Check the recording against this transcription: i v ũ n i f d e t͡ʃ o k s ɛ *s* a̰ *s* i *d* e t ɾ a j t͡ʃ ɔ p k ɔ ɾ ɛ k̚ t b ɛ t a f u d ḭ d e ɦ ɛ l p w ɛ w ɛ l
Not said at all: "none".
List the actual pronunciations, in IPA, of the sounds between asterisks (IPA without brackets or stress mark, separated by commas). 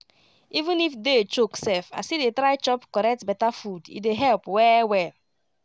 f, s, d